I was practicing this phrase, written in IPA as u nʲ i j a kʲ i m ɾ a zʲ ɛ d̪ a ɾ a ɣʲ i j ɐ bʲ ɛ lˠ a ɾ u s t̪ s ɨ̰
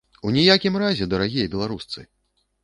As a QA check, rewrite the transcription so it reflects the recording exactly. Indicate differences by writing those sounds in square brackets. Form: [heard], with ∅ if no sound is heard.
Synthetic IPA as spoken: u nʲ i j a kʲ i m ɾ a zʲ ɛ d̪ [ɐ] ɾ a ɣʲ i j ɐ bʲ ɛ lˠ a ɾ u s t̪ s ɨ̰